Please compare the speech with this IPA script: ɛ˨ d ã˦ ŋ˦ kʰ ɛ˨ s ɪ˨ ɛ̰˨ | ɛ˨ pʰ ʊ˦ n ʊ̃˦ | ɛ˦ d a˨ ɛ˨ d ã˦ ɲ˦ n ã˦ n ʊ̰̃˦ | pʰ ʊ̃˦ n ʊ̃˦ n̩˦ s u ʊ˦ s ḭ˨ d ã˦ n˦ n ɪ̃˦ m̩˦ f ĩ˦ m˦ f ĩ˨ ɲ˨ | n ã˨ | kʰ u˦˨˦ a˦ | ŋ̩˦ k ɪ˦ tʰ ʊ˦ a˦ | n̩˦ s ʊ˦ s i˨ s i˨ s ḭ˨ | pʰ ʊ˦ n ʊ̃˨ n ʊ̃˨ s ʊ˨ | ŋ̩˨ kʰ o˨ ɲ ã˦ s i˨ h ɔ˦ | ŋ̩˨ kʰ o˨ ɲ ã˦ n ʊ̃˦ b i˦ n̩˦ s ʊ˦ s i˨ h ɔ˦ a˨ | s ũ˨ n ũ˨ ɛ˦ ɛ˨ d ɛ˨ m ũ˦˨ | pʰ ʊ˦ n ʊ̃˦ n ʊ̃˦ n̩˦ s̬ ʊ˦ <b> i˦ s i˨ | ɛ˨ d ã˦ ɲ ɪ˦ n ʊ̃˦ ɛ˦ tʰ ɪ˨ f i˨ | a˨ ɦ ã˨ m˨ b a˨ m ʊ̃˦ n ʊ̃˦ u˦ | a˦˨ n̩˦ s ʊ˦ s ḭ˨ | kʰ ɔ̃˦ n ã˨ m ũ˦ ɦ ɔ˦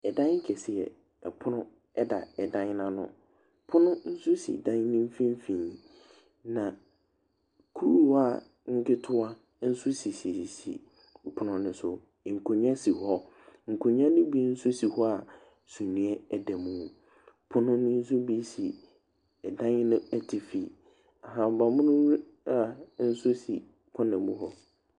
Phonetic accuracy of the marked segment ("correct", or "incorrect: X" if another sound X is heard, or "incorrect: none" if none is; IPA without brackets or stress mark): correct